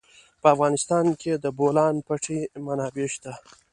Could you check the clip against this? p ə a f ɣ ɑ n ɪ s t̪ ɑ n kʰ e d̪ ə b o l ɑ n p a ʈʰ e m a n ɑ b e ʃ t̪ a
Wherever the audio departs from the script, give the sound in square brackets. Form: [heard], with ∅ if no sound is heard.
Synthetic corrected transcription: p ə a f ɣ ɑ n ɪ s t̪ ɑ n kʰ e d̪ ə b o l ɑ n p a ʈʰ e m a n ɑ b e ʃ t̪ a